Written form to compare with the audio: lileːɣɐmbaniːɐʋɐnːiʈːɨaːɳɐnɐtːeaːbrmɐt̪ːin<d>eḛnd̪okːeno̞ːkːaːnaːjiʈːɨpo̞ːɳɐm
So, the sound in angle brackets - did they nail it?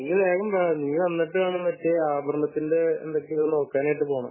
yes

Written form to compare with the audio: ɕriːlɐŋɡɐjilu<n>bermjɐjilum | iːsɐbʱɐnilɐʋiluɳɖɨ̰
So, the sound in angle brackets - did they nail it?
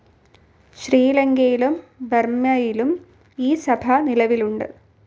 no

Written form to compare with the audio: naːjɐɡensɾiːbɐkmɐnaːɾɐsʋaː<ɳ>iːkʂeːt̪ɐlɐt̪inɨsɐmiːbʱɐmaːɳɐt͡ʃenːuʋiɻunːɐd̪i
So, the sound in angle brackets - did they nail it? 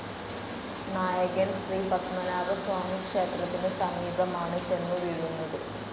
no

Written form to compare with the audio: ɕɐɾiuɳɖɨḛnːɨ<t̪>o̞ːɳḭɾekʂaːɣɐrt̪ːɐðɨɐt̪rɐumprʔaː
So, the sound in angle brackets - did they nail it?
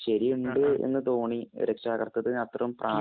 yes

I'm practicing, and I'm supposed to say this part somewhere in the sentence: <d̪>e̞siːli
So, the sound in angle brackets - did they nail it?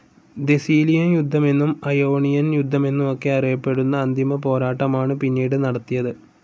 yes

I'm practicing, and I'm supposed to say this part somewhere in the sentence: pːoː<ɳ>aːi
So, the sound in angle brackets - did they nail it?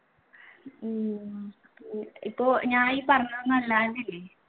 no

